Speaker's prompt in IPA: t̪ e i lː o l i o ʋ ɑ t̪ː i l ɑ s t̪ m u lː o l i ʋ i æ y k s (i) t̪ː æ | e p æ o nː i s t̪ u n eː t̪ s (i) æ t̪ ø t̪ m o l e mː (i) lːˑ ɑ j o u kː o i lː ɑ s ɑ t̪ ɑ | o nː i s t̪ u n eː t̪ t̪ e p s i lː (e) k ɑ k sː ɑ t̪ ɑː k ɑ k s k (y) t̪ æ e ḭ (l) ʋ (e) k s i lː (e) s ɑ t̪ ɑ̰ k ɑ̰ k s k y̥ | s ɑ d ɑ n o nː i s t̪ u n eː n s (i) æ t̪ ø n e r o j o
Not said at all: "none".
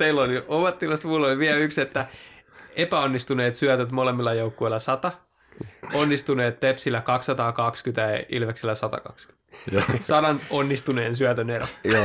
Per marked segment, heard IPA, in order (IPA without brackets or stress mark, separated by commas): e, y, i, æ, y, l, e, æ, y